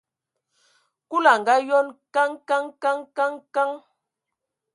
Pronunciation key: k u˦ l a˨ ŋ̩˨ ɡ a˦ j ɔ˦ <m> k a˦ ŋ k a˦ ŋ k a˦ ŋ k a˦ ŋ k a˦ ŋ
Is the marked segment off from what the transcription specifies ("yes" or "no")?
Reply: yes